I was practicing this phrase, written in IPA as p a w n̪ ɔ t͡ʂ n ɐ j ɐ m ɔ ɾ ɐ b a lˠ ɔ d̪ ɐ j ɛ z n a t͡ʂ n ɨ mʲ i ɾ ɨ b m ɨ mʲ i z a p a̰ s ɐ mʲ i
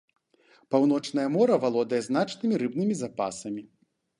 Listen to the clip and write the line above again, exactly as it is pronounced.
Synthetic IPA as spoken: p a w n̪ ɔ t͡ʂ n ɐ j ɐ m ɔ ɾ ɐ v a lˠ ɔ d̪ ɐ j ɛ z n a t͡ʂ n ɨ mʲ i ɾ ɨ b n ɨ mʲ i z a p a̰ s ɐ mʲ i